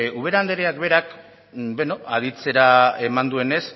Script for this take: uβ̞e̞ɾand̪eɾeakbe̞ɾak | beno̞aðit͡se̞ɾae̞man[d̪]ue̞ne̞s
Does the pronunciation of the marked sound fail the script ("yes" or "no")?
no